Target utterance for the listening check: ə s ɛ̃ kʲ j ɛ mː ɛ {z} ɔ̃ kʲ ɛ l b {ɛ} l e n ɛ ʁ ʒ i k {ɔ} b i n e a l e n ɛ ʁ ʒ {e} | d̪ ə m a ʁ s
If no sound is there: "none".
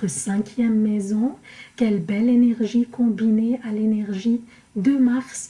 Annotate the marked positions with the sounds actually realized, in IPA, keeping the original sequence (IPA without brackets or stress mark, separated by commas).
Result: z, ɛ, ɔ̃, i